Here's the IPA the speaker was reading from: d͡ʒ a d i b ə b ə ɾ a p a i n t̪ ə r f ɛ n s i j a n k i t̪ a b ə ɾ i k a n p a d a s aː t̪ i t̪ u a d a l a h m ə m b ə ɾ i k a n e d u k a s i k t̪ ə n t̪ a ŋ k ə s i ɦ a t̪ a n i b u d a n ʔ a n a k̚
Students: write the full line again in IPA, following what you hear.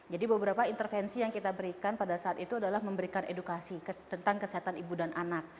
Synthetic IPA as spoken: d͡ʒ a d i b ə b ə ɾ a p a i n t̪ ə r f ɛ n s i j a ŋ k i t̪ a b ə ɾ i k a n p a d a s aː t̪ i t̪ u a d a l a h m ə m b ə ɾ i k a n e d u k a s i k t̪ ə n t̪ a ŋ k ə s i ɦ a t̪ a n i b u d a n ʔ a n a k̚